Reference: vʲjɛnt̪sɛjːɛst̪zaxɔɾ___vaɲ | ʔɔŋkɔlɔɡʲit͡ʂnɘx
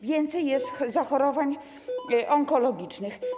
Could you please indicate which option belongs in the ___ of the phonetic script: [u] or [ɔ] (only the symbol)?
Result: ɔ